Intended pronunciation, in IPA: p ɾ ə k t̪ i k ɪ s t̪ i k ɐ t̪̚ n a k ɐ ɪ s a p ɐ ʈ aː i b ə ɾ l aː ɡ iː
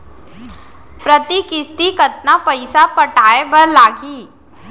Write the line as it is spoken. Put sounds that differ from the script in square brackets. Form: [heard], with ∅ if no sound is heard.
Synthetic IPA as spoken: p ɾ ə [∅] t̪ i k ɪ s t̪ i k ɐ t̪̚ n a [p] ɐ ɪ s a p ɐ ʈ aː [e] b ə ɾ l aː ɡ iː